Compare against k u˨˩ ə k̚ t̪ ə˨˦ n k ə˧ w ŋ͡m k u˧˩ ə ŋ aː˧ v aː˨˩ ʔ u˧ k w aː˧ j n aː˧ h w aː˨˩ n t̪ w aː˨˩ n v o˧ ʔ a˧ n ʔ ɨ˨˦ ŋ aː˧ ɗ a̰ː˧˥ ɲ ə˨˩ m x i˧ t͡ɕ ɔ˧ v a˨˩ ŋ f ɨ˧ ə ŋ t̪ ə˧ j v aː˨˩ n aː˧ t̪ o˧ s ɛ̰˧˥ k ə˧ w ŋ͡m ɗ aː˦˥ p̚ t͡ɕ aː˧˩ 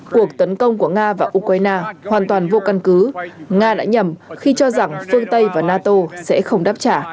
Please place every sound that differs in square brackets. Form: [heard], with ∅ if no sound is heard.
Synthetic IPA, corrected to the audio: k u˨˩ ə k̚ t̪ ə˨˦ n k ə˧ w ŋ͡m k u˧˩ ə ŋ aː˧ v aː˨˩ ʔ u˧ k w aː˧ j n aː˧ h w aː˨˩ n t̪ w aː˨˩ n v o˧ [k] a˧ n [k] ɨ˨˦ ŋ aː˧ ɗ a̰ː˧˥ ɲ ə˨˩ m x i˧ t͡ɕ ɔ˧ [z] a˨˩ ŋ f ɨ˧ ə ŋ t̪ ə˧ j v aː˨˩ n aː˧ t̪ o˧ s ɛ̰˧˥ [x] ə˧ w ŋ͡m ɗ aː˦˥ p̚ t͡ɕ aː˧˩